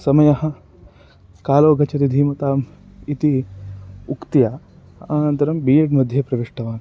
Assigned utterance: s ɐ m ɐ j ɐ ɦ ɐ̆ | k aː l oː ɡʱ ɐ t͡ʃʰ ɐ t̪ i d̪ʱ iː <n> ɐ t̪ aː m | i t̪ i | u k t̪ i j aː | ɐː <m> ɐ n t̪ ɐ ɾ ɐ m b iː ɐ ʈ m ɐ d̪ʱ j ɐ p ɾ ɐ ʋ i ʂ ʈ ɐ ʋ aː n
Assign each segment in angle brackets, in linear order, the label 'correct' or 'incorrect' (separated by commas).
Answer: incorrect, incorrect